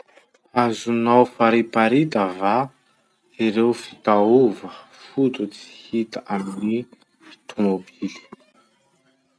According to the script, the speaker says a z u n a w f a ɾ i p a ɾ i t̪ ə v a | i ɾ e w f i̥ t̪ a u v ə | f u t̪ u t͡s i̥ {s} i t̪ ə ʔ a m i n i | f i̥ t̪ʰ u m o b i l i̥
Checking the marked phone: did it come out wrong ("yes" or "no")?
yes